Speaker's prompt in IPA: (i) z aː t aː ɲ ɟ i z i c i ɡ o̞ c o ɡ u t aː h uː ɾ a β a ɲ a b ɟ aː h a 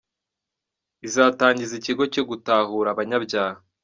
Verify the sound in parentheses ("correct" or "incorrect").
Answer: correct